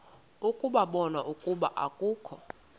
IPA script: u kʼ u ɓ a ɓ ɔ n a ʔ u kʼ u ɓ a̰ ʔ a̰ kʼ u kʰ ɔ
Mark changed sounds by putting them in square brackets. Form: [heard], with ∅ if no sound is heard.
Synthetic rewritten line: u kʼ u ɓ a ɓ ɔ n a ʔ u kʼ u ɓ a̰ ʔ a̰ kʼ [uː] kʰ ɔ